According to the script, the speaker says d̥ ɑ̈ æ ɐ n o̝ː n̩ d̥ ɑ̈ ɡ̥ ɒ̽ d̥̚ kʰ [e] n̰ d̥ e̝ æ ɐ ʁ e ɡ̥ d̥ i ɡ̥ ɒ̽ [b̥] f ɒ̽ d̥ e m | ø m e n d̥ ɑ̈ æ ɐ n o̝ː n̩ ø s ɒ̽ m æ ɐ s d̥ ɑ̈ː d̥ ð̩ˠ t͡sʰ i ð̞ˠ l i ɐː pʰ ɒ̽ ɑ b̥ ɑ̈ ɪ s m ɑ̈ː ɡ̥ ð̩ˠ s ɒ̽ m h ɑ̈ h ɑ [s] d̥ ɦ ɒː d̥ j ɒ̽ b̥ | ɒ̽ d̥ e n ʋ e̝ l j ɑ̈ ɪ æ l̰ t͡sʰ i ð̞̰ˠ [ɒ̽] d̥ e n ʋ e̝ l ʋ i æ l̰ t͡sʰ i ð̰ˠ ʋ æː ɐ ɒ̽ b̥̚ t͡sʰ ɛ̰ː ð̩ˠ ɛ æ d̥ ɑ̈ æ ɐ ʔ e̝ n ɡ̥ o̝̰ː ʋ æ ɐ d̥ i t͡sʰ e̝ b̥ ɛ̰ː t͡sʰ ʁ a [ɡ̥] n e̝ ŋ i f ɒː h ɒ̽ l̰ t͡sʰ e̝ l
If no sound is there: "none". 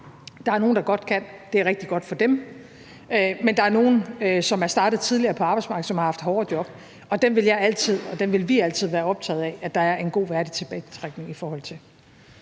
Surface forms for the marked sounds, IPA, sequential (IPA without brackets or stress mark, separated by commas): æ, d̥, f, ɒ̽, ɡ̥